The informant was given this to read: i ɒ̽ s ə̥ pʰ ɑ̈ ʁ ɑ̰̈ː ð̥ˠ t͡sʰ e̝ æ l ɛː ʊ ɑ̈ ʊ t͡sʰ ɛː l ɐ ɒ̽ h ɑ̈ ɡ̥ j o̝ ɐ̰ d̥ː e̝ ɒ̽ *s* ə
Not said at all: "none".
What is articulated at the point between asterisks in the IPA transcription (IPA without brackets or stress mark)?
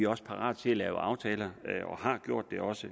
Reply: s